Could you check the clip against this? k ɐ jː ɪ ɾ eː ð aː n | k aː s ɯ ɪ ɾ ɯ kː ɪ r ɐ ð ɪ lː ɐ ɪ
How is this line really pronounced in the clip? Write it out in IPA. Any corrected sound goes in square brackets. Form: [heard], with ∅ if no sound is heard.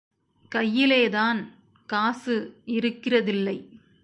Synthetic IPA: k ɐ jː ɪ [l] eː ð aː n | k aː s ɯ ɪ ɾ ɯ kː ɪ r ɐ ð ɪ lː ɐ ɪ